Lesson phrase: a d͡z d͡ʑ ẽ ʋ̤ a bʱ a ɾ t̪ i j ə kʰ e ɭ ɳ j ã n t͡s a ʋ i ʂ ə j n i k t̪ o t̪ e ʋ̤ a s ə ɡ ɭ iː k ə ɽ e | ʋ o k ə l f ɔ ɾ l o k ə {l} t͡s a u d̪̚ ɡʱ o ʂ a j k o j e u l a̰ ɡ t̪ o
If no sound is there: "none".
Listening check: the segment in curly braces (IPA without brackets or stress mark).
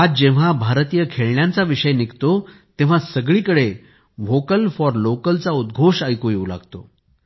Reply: l